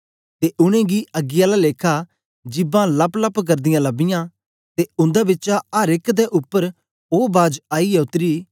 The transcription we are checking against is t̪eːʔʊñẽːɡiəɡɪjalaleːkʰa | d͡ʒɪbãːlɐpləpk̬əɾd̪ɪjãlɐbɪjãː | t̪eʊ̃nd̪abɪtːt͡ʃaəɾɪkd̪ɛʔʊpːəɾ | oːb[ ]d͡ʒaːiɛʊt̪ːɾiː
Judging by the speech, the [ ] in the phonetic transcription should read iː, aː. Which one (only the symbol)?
aː